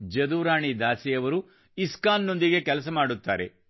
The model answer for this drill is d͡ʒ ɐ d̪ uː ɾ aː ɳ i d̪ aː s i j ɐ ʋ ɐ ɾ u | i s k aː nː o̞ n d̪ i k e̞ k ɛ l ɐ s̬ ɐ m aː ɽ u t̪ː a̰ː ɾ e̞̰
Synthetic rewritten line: d͡ʒ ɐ d̪ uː ɾ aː ɳ i d̪ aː s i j ɐ ʋ ɐ ɾ u | i s k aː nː o̞ n d̪ i ɡ e̞ k ɛ l ɐ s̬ ɐ m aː ɽ u t̪ː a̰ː ɾ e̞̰